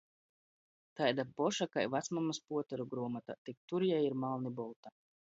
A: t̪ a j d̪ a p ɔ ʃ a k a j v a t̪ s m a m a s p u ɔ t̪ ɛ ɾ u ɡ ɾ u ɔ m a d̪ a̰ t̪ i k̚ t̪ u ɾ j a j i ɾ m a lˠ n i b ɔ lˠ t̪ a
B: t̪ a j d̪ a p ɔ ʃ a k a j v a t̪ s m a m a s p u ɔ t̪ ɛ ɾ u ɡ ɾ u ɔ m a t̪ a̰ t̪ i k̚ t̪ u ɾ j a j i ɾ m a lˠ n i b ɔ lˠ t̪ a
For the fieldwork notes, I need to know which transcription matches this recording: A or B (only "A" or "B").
B